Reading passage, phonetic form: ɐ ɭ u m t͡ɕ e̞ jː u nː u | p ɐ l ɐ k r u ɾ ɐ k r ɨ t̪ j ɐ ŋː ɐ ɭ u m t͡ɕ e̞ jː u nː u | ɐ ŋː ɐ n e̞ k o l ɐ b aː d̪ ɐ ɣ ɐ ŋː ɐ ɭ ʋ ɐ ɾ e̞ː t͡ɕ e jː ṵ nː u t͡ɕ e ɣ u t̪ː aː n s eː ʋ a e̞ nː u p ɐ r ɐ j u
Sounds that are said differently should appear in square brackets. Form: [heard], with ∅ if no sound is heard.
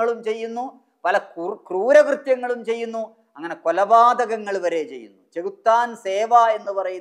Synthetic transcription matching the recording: ɐ ɭ u m t͡ɕ e̞ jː u nː u | p ɐ l ɐ k r [uː] ɾ ɐ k r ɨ t̪ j ɐ ŋː ɐ ɭ u m t͡ɕ e̞ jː u nː u | ɐ ŋː ɐ n e̞ k o l ɐ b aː d̪ ɐ ɣ ɐ ŋː ɐ ɭ ʋ ɐ ɾ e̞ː t͡ɕ e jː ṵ nː u t͡ɕ e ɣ u t̪ː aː n s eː ʋ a e̞ nː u p ɐ r ɐ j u